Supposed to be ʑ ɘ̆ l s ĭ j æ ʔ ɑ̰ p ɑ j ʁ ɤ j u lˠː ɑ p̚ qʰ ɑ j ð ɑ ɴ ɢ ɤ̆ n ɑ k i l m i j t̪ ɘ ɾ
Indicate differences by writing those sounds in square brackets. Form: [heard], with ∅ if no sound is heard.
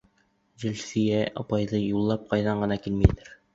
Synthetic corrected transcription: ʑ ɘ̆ l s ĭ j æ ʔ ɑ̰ p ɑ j [ð] ɤ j u lˠː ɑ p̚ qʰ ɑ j ð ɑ ɴ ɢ ɤ̆ n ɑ k i l m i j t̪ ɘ ɾ